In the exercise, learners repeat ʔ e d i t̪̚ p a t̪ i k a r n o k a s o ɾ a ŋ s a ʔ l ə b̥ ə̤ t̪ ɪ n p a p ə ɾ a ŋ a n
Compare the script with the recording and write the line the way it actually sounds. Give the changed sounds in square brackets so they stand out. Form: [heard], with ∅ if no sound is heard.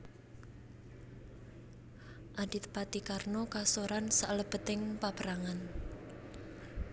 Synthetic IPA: ʔ [a] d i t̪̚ p a t̪ i k a r n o k a s o ɾ a [n] s a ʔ l ə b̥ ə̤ t̪ ɪ [ŋ] p a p ə ɾ a ŋ a n